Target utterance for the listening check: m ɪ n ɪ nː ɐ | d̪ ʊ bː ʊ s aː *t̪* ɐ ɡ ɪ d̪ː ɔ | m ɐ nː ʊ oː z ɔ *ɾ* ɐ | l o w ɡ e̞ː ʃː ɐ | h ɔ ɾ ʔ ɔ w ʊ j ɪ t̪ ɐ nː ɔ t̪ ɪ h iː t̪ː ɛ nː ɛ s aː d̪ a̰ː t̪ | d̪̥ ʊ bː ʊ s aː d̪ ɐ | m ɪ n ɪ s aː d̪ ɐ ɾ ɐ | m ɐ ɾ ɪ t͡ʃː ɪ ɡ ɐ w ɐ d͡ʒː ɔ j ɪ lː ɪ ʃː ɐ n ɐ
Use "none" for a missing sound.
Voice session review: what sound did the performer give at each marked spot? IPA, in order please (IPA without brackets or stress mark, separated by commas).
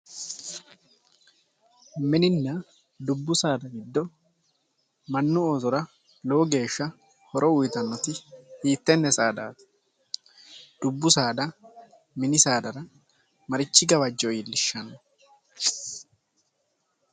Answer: d̪, ɾ